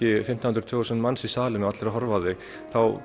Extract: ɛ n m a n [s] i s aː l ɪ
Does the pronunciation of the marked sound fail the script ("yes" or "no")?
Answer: no